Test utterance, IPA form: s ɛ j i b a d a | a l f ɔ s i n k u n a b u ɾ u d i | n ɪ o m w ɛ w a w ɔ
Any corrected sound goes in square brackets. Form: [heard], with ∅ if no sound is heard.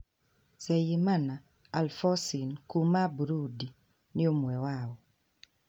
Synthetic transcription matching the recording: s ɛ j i [m] a [n] a | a l f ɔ s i n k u [m] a b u ɾ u d i | n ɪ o m w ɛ w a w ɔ